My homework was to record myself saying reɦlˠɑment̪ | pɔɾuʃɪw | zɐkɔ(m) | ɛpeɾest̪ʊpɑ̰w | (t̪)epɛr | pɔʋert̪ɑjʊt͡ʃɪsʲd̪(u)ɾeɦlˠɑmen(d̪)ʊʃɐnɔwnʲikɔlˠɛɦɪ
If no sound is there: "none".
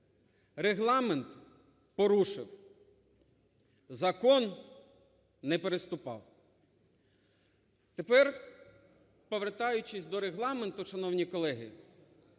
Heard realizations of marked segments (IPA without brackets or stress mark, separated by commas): n, t̪, ɔ, t̪